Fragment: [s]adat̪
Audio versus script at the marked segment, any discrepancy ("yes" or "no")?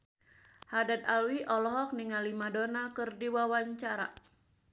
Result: yes